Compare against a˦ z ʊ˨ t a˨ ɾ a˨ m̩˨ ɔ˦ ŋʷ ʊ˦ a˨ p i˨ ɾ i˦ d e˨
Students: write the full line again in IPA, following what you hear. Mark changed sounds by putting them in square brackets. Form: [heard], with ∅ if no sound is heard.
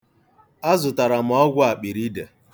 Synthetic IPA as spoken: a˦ z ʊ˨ t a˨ ɾ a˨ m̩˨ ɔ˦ [ɡʷ] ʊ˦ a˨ [k͡p] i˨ ɾ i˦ d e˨